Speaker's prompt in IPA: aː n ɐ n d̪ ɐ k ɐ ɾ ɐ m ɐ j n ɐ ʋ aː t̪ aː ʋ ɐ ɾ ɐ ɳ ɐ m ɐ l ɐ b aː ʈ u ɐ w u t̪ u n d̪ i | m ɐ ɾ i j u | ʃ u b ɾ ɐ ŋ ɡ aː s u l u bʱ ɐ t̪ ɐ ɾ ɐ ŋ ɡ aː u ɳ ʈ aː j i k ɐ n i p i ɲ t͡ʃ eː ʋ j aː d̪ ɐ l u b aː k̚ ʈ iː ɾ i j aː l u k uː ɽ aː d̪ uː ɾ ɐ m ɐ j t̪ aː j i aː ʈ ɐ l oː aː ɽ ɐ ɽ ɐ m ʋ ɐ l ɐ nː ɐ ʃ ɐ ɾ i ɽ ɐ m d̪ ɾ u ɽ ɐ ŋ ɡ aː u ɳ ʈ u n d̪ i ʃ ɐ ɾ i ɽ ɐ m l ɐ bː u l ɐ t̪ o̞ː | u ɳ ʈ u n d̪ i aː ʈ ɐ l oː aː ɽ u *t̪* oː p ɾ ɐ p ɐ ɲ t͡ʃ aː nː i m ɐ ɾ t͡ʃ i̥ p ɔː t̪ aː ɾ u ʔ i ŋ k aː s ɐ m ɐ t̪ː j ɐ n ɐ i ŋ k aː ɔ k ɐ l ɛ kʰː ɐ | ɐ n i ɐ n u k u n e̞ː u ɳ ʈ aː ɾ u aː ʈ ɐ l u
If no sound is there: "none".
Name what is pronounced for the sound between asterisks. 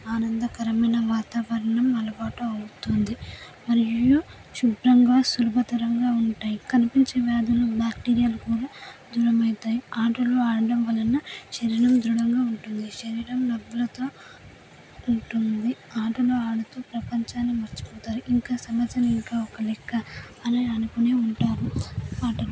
t̪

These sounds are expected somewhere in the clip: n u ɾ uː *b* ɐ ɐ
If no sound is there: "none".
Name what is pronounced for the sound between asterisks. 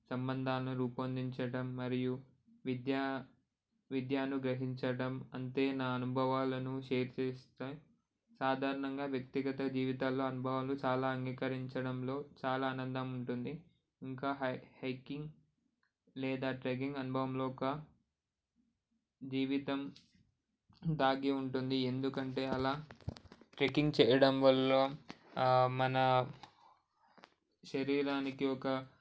p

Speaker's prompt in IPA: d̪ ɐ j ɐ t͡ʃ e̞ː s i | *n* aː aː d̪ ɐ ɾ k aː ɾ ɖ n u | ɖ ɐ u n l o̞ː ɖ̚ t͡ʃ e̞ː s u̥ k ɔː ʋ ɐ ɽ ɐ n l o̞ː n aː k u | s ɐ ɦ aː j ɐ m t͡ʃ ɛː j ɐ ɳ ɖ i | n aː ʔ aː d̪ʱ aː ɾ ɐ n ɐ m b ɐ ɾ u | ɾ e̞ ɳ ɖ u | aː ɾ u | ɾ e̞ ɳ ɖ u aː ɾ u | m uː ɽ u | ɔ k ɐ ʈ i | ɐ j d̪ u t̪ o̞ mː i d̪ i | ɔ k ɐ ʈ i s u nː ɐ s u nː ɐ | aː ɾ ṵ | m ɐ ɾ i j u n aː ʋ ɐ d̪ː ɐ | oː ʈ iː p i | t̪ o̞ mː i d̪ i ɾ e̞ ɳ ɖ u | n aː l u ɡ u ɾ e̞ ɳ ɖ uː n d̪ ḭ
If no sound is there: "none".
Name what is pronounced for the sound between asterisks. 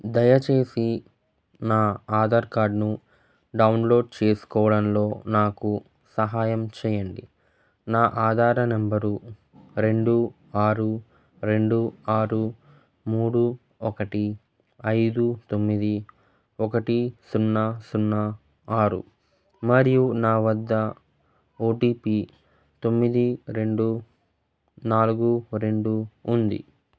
n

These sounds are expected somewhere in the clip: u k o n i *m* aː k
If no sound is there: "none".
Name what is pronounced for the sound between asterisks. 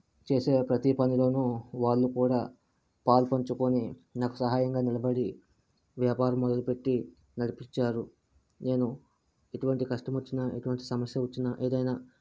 n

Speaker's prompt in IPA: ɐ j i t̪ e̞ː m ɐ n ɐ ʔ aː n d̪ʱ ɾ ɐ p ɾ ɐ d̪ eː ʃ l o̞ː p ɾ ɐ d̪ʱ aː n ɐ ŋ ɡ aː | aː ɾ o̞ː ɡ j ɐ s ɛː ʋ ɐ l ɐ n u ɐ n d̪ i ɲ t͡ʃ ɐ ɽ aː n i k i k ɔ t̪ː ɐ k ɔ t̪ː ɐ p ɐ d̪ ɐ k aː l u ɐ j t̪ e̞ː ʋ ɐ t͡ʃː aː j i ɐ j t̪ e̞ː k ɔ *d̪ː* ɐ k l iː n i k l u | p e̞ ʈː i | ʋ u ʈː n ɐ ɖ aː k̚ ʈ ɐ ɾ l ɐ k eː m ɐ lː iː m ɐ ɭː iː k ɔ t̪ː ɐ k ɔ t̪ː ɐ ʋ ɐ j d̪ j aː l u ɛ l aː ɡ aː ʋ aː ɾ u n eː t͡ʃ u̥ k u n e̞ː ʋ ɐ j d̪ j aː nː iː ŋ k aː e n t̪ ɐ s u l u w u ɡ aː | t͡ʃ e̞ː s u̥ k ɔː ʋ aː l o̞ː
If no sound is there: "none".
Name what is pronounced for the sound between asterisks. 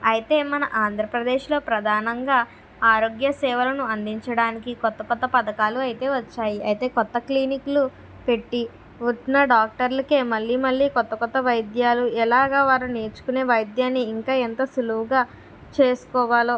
t̪ː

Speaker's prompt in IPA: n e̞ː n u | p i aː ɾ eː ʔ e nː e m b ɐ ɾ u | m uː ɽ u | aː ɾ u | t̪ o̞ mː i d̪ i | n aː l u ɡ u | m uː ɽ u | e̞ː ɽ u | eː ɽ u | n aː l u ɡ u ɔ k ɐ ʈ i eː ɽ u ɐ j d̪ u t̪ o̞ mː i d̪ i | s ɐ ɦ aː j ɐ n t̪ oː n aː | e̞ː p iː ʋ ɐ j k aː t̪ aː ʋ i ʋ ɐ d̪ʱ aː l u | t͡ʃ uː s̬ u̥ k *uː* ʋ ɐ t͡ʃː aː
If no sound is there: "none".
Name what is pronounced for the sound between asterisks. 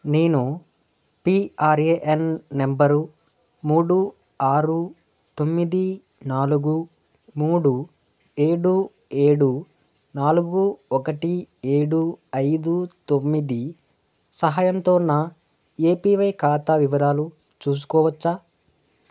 ɔː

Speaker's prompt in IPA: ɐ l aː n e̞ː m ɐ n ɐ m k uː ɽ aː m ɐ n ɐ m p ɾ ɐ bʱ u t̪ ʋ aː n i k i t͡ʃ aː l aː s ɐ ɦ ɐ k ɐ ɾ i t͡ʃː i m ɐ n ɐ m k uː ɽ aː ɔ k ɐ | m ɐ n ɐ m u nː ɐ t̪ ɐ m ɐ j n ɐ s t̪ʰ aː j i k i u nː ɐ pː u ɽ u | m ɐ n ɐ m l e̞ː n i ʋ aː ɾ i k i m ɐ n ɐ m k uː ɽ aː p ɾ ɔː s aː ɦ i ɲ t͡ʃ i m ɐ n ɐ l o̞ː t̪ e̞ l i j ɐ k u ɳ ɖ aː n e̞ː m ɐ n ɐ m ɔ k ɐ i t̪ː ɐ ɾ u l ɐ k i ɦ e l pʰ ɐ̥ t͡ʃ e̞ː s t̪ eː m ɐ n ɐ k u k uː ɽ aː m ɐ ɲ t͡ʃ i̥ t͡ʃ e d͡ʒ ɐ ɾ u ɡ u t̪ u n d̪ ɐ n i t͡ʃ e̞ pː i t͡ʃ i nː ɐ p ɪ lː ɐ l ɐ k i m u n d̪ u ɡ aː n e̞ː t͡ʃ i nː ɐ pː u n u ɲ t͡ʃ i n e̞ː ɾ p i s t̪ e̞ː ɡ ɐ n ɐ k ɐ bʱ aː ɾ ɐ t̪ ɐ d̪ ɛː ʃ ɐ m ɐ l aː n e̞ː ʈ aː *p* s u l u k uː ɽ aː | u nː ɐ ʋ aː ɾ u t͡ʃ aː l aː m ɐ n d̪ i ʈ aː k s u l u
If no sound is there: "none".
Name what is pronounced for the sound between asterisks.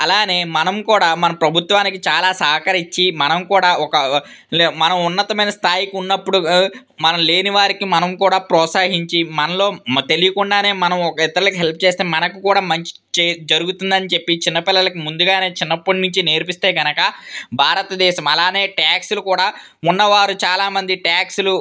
k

